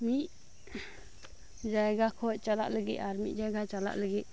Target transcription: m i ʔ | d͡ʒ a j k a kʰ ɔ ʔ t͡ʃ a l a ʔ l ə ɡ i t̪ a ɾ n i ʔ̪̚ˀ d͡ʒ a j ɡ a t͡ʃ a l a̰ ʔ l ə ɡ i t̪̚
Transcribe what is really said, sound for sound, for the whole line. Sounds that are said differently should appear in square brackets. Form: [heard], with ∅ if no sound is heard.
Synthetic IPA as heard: m i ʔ | d͡ʒ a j [ɡ] a kʰ ɔ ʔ t͡ʃ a l a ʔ l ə ɡ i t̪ a ɾ [m] i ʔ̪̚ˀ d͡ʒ a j ɡ a t͡ʃ a l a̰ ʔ l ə ɡ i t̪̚